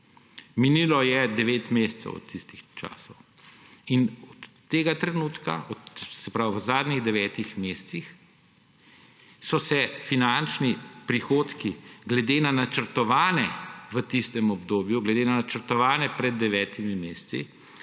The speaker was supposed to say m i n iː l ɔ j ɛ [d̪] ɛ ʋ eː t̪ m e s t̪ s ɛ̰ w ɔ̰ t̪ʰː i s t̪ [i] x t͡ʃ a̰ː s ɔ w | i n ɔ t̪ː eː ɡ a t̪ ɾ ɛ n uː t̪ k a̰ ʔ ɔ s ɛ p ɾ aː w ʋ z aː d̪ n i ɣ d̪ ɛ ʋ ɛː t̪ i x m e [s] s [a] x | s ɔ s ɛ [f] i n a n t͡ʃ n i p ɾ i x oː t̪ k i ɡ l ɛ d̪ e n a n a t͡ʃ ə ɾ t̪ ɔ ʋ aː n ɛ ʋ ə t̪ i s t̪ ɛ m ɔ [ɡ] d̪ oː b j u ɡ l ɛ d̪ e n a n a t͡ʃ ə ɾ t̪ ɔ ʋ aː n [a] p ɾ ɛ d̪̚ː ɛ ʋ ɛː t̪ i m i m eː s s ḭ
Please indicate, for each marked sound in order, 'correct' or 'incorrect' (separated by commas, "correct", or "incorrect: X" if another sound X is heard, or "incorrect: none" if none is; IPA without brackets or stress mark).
correct, correct, correct, incorrect: i, correct, incorrect: b, incorrect: ɛ